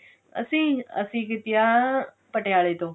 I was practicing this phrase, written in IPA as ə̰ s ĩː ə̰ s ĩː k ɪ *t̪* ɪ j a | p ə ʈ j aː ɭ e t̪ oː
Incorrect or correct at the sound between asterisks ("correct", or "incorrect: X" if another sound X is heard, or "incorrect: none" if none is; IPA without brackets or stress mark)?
correct